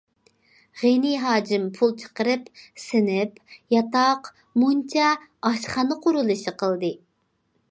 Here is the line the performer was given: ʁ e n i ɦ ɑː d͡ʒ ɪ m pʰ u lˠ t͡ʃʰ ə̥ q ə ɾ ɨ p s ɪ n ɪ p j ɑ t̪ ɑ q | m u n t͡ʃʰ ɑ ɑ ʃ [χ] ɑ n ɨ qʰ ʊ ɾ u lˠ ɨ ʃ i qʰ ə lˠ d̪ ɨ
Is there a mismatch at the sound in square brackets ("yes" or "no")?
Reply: no